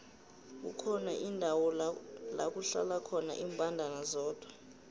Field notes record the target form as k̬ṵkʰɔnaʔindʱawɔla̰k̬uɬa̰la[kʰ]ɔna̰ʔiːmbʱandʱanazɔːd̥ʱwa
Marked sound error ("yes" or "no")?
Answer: no